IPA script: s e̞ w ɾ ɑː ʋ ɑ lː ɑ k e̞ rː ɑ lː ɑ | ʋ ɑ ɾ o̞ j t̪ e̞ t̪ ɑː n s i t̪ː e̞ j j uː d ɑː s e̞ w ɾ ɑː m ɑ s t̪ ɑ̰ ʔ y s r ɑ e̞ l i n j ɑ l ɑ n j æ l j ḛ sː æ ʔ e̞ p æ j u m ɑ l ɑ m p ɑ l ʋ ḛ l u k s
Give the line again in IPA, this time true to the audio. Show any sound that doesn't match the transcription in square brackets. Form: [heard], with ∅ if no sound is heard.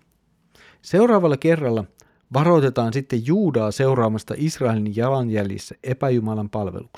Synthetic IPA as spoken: s e̞ w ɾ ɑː ʋ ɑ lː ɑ k e̞ rː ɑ lː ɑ | ʋ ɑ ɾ o̞ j t̪ e̞ t̪ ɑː n s i t̪ː e̞ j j uː d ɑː s e̞ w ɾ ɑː m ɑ s t̪ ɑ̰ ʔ [i] s r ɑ e̞ l i n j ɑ l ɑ n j æ l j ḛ sː æ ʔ e̞ p æ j u m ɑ l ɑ m p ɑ l ʋ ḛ l u k s